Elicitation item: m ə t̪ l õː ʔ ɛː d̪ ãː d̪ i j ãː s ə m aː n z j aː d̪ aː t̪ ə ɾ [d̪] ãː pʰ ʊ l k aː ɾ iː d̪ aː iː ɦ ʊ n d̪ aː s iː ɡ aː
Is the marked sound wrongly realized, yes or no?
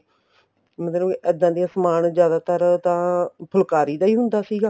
yes